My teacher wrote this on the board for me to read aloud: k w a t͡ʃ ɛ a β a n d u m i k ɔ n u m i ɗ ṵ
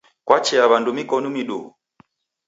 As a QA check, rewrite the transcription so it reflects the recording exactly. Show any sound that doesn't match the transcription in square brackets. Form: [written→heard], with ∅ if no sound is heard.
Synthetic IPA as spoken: k w a t͡ʃ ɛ a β a n d u m i k ɔ n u m i ɗ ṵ